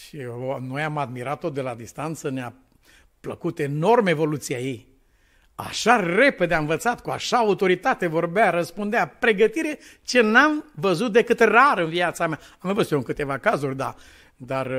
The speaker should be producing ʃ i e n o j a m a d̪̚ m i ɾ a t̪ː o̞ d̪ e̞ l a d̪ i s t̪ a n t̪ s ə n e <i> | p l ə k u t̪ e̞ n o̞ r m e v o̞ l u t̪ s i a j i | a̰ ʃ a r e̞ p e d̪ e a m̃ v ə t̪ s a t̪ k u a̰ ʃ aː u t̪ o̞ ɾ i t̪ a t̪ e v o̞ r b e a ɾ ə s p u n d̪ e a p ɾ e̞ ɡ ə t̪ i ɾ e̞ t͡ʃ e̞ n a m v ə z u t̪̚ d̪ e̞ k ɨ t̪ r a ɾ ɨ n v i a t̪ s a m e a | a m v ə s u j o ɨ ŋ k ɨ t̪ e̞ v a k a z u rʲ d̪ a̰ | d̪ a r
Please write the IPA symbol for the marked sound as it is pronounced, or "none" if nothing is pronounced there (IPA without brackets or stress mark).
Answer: a